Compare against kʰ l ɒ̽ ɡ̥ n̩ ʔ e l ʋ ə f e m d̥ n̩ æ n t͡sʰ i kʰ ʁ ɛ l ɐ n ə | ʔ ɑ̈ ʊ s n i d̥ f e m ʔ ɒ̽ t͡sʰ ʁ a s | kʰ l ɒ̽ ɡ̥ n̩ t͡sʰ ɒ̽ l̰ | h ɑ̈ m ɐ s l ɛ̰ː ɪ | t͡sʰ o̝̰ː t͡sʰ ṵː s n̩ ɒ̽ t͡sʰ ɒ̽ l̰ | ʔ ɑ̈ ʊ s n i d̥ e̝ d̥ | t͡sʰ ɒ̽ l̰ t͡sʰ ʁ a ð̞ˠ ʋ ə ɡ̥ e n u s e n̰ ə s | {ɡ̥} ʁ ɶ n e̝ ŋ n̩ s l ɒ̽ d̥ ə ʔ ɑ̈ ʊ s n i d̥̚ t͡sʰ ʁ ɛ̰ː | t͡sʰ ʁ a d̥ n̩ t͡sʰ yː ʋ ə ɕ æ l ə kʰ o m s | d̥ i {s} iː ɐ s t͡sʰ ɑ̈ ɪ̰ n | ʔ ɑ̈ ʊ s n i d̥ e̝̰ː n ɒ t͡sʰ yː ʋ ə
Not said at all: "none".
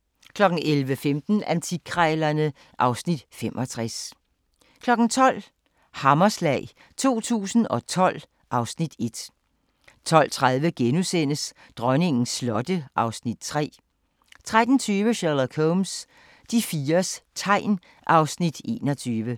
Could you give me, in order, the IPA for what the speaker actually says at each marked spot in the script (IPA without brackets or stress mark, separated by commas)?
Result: d̥, f